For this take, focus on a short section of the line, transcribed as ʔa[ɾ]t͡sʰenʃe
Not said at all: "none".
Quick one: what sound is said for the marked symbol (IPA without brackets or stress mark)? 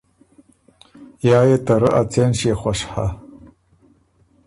none